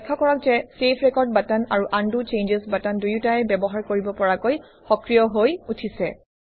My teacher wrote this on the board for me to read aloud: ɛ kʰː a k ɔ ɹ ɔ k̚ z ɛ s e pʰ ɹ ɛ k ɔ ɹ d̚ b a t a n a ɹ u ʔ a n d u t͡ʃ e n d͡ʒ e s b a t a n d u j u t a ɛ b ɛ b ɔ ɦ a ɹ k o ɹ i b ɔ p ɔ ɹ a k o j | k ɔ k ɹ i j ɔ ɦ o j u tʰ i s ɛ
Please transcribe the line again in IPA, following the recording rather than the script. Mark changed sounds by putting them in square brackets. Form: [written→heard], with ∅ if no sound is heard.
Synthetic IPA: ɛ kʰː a k ɔ ɹ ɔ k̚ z ɛ s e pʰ ɹ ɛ k ɔ ɹ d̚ b a t a n a ɹ u ʔ a n d u t͡ʃ e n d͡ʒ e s b a t a n d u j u t a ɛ b ɛ b ɔ ɦ a ɹ k o ɹ i b ɔ p ɔ ɹ a k o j | [k→x] ɔ k ɹ i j ɔ ɦ o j u tʰ i s ɛ